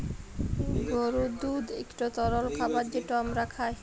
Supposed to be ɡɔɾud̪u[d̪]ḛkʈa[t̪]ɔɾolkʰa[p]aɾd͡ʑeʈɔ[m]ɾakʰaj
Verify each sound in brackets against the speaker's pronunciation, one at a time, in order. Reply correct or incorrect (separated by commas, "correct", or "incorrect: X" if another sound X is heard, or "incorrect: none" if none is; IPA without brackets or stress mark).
correct, correct, incorrect: b, correct